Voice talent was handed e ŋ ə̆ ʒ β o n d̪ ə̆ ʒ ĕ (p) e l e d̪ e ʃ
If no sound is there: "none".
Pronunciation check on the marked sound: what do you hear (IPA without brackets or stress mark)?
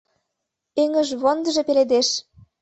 p